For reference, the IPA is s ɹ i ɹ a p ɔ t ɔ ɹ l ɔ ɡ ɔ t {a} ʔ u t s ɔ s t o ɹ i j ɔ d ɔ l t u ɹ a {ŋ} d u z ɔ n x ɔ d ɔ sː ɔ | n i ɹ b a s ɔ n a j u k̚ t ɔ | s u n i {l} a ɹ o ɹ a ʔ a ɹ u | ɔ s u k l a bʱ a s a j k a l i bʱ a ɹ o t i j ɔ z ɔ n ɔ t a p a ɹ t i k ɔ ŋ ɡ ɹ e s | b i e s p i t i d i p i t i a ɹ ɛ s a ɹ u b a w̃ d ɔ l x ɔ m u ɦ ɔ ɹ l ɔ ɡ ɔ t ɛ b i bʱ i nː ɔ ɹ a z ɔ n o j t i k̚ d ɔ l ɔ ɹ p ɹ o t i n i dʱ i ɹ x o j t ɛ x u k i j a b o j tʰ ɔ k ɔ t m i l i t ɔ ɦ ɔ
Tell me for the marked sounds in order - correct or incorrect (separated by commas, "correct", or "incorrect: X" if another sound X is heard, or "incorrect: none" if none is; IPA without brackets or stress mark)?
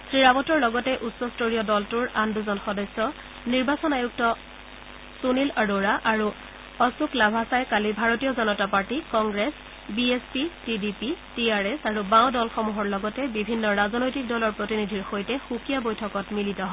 incorrect: ɛ, incorrect: n, correct